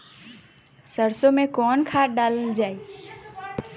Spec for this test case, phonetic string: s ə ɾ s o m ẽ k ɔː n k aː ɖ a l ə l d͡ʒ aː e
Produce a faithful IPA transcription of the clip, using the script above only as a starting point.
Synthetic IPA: s ə ɾ s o m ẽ k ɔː n kʰ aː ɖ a l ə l d͡ʒ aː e

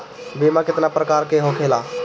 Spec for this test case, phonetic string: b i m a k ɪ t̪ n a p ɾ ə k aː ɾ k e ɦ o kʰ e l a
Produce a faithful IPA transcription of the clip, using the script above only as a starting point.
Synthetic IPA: b i m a k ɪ t̪ n a p ɾ ə k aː ɾ k e ɦ o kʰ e l a

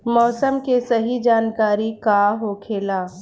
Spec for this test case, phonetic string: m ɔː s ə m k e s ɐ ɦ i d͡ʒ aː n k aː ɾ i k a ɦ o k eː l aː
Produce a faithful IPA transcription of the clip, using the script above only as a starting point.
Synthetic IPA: m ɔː s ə m k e s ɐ ɦ i d͡ʒ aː n k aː ɾ i k a ɦ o kʰ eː l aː

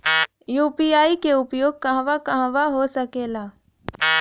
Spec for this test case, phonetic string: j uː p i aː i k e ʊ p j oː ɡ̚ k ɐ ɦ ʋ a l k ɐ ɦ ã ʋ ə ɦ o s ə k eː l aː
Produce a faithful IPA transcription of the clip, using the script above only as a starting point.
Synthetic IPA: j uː p i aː i k e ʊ p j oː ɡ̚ k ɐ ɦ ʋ a k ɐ ɦ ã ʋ a ɦ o s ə k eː l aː

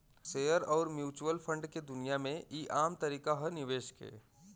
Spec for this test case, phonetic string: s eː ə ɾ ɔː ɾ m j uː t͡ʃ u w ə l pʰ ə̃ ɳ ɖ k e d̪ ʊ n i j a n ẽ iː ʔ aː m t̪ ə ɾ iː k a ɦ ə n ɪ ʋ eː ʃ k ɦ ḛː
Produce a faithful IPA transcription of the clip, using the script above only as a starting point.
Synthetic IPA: s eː ə ɾ ɔː ɾ m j uː t͡ʃ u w ə l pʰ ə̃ ɳ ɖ k e d̪ ʊ n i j a m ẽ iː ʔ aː m t̪ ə ɾ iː k a ɦ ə n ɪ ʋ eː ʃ k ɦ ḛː

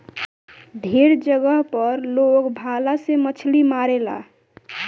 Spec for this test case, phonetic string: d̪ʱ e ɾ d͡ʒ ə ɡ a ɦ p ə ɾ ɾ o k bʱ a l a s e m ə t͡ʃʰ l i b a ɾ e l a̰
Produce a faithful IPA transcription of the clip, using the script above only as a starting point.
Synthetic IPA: d̪ʱ e ɾ d͡ʒ ə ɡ ə ɦ p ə ɾ l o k bʱ a l a s e m ə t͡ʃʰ l i m a ɾ e l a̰

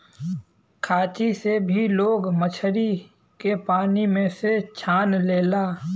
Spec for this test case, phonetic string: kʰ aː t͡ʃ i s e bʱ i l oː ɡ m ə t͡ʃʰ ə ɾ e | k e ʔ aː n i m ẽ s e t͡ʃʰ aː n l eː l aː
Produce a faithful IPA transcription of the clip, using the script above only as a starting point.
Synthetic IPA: kʰ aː t͡ʃ i s e bʱ i l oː ɡ m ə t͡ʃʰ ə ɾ i | k e p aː n i m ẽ s e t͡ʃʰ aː n l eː l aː

